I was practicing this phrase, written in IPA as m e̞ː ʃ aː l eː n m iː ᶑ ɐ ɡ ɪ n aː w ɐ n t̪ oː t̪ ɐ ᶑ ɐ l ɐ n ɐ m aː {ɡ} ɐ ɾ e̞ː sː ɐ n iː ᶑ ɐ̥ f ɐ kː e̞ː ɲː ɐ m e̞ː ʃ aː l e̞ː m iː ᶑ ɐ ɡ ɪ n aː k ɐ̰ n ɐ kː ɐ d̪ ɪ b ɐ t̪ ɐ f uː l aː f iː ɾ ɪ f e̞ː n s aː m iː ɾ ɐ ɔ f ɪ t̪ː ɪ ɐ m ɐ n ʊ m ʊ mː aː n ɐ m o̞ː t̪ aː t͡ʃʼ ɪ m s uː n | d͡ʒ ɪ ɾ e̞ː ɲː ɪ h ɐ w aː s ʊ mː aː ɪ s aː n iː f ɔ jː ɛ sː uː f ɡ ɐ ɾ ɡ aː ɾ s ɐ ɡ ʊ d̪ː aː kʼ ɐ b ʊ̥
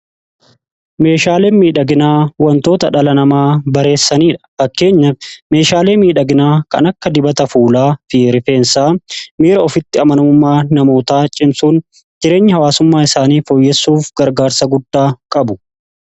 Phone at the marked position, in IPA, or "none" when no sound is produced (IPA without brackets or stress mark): b